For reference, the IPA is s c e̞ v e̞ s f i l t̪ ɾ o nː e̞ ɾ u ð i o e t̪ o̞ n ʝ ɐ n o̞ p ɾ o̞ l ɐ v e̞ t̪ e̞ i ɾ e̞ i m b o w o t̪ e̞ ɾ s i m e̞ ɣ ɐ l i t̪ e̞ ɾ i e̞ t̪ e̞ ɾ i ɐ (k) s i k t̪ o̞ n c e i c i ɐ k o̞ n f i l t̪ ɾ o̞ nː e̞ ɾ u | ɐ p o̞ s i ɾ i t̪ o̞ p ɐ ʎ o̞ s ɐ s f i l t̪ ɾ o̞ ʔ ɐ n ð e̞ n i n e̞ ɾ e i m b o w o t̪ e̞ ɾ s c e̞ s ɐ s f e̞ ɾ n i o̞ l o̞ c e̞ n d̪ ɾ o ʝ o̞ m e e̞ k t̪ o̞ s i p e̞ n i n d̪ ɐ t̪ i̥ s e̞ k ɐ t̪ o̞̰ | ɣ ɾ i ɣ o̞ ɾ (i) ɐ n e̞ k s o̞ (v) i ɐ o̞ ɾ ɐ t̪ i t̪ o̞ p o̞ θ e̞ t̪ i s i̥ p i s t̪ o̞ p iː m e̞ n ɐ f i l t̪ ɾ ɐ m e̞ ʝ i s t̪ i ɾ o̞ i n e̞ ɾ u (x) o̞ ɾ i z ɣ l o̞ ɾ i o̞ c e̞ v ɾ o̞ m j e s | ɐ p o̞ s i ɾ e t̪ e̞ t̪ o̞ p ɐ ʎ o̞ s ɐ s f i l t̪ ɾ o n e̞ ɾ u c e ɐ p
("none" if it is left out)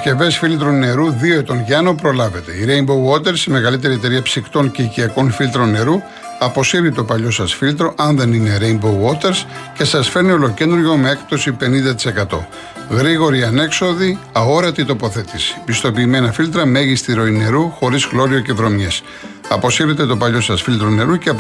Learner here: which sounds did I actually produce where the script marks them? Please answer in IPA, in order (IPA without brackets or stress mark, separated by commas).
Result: p, i, ð, x